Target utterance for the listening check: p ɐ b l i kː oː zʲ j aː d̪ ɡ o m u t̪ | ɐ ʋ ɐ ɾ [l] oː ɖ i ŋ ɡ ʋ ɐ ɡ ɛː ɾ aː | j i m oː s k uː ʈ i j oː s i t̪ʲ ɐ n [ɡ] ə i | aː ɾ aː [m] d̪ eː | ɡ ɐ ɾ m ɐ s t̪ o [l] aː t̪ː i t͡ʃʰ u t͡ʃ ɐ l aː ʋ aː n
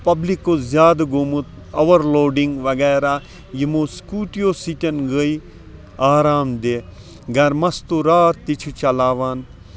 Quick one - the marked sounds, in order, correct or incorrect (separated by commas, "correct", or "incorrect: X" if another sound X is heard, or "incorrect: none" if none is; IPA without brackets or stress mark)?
correct, correct, correct, incorrect: ɾ